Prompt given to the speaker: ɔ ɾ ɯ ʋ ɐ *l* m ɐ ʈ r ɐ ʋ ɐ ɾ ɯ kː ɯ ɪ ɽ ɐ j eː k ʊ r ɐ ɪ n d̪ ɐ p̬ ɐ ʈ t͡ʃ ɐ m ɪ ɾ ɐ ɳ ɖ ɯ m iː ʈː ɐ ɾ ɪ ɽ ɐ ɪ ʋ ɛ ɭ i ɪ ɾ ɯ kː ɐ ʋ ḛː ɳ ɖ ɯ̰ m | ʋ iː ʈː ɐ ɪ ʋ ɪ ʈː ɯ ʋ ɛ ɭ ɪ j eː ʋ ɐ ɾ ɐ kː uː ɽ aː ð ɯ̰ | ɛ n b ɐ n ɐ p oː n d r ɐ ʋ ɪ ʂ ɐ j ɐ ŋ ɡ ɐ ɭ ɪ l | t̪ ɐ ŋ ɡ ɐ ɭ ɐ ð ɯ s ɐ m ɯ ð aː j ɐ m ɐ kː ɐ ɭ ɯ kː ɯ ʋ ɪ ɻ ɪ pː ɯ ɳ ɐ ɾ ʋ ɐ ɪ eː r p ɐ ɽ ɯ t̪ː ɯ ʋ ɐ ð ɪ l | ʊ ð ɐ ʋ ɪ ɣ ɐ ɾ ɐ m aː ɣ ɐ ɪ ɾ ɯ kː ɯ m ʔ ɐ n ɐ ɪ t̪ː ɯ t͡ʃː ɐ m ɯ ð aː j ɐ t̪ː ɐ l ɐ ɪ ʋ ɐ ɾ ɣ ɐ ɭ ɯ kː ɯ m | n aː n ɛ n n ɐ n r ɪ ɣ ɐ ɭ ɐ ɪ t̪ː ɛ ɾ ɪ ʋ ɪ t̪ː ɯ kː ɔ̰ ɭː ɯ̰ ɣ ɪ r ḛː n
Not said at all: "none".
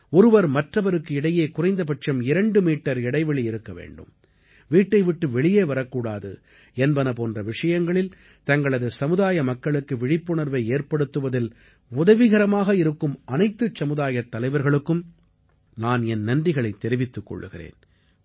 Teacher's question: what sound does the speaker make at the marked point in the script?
ɾ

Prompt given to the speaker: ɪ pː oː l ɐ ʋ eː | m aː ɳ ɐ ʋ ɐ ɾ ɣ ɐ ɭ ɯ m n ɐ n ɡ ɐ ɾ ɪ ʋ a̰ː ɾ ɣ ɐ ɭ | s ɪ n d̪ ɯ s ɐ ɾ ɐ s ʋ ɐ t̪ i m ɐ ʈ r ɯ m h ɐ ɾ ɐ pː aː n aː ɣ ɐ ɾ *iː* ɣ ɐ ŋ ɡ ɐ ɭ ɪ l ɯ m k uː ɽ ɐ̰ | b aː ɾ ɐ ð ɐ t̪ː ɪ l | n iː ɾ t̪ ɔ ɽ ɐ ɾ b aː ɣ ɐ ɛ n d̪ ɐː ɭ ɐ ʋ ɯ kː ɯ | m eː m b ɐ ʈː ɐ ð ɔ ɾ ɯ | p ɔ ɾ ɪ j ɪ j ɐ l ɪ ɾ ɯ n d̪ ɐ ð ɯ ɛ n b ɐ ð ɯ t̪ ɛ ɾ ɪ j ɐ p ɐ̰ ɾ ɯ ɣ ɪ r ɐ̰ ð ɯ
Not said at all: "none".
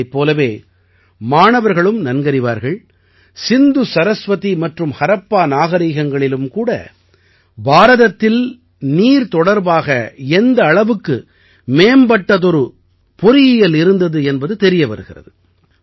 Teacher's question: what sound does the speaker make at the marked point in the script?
iː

